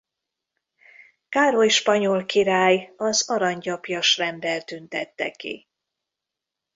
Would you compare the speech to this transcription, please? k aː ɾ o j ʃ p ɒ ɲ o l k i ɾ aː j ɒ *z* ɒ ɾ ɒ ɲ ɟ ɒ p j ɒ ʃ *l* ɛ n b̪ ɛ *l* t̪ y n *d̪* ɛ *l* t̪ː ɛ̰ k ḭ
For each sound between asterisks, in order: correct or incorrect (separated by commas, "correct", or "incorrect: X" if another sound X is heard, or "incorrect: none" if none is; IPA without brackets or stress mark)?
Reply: correct, incorrect: r, correct, incorrect: t̪, incorrect: none